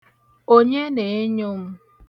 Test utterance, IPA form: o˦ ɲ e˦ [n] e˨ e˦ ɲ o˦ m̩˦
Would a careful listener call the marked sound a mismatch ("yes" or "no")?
no